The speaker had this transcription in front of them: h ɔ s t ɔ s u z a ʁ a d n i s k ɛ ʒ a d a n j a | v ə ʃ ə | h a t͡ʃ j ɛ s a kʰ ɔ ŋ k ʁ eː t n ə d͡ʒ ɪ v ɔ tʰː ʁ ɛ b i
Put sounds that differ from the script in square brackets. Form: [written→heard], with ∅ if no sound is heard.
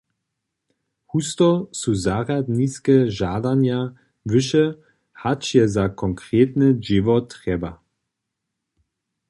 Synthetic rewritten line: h [ɔ→u] s t ɔ s u z a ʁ a d n i s k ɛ ʒ a d a n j a | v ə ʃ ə | h a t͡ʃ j ɛ [s→z] a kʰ ɔ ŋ k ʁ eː t n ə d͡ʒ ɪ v ɔ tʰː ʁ ɛ b [i→a]